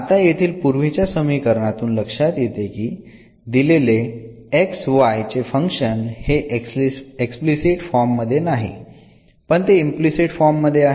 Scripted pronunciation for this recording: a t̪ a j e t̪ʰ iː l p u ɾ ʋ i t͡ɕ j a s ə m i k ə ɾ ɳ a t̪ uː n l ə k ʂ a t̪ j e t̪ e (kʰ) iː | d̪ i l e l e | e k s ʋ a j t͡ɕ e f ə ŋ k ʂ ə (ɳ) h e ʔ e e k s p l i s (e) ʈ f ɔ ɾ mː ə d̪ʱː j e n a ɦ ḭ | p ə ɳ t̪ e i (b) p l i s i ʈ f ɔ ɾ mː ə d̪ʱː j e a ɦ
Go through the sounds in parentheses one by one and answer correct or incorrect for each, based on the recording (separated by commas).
incorrect, incorrect, incorrect, incorrect